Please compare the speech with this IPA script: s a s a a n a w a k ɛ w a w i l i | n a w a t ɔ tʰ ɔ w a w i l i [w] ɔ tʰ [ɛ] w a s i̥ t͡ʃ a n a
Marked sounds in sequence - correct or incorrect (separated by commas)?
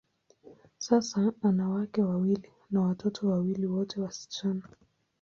correct, correct